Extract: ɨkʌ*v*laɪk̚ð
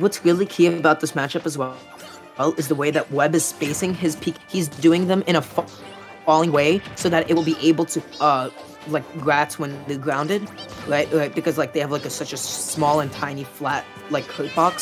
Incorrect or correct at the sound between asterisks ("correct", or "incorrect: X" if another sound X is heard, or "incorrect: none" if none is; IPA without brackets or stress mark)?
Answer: incorrect: z